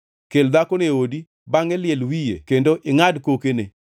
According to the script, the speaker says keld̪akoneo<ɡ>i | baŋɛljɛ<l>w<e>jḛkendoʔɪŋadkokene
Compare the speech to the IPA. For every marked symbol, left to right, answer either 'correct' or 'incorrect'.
incorrect, correct, incorrect

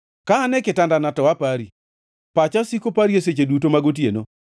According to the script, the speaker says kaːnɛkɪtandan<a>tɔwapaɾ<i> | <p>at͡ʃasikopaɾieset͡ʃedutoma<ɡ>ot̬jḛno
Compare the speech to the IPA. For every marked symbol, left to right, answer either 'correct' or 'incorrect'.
correct, correct, correct, correct

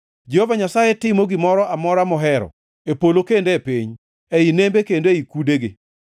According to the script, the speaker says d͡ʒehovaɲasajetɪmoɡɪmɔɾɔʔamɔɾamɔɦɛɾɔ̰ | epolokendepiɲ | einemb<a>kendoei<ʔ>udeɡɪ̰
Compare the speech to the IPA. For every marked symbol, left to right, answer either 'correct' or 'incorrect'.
incorrect, incorrect

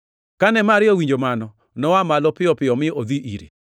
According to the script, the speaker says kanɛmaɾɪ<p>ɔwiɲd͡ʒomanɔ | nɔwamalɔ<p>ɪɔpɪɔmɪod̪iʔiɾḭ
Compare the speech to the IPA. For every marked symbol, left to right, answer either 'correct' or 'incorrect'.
incorrect, correct

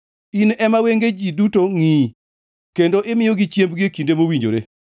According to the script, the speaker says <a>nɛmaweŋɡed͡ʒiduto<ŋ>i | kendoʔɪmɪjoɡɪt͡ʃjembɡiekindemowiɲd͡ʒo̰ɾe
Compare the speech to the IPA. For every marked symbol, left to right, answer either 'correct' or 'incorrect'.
incorrect, correct

